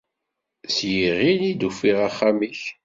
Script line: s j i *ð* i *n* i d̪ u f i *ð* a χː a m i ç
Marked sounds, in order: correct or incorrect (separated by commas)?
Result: incorrect, correct, incorrect